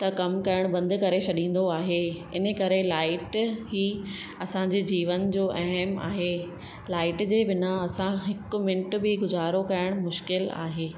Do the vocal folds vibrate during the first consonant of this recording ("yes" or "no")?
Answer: no